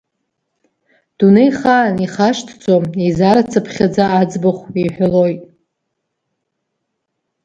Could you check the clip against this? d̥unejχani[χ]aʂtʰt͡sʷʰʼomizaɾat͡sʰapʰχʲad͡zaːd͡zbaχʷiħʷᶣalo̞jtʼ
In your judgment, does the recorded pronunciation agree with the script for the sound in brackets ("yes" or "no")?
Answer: yes